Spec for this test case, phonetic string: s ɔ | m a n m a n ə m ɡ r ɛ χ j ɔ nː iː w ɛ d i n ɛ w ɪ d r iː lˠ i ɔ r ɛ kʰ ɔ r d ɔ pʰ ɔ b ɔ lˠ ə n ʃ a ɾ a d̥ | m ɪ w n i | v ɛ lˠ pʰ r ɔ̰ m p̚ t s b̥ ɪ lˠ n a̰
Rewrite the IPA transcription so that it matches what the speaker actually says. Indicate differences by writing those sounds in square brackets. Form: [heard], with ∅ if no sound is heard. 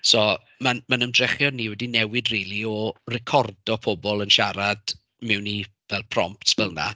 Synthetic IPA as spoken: s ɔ | m a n m a n ə m [d] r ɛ χ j ɔ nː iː w ɛ d i n ɛ w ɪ d r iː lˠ i ɔ r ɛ kʰ ɔ r d ɔ pʰ ɔ b ɔ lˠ ə n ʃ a ɾ a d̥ | m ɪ w n i | v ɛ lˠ pʰ r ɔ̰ m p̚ t s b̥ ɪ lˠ n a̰